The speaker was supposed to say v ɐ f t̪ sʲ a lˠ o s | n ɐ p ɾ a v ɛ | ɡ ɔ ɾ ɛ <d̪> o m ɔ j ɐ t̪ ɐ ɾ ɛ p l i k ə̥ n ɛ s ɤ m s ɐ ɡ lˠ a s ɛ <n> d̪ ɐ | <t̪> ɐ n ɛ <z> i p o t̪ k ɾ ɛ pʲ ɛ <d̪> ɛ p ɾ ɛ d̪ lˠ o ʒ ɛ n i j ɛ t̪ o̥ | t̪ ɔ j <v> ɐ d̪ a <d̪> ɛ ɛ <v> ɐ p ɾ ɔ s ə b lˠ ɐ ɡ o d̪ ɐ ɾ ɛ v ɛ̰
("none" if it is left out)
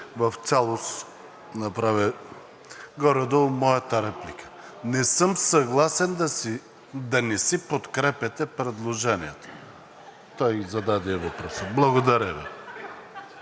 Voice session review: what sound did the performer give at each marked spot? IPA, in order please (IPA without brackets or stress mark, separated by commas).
d̪, n, d̪, s, t̪, z, d̪, v